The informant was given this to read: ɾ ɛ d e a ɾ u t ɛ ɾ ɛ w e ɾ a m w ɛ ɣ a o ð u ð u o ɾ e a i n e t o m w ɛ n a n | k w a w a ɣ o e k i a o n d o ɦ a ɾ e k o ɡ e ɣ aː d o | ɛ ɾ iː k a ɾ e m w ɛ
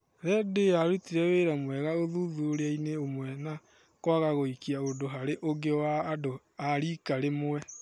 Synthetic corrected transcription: ɾ ɛ d e a ɾ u t i ɾ ɛ w e ɾ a m w ɛ ɣ a o ð u ð u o ɾ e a i n e o m w ɛ n a | k w a ɣ a ɣ o i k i a o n d o ɦ a ɾ e ʔ o ɡ e w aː d o | a ɾ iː k a ɾ e m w ɛ